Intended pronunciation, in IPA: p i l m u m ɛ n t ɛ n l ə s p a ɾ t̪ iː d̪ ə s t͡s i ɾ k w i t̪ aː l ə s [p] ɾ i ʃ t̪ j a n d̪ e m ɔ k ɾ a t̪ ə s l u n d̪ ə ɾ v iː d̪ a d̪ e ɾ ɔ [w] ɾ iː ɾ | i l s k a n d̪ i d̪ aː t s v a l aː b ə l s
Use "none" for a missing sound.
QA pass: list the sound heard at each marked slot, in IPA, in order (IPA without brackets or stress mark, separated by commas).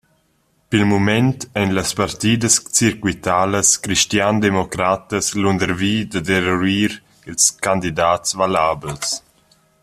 k, none